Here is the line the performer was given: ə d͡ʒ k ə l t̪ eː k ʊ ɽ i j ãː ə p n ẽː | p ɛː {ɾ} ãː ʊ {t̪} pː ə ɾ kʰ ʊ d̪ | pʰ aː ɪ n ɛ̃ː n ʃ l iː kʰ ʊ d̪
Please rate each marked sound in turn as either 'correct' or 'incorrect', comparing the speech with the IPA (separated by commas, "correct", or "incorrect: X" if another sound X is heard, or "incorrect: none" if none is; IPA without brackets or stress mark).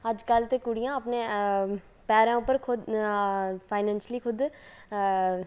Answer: correct, incorrect: none